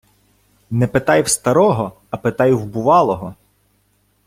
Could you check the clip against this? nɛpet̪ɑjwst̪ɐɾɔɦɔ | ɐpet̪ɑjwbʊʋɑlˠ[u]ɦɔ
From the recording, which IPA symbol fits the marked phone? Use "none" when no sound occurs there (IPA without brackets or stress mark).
ɔ